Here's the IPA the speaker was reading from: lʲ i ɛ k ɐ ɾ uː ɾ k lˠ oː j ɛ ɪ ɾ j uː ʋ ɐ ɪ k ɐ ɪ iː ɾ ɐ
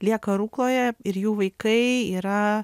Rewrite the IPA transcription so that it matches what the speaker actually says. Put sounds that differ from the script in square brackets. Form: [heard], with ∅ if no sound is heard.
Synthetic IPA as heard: lʲ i ɛ k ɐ ɾ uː [∅] k lˠ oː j ɛ ɪ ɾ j uː ʋ ɐ ɪ k ɐ ɪ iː ɾ ɐ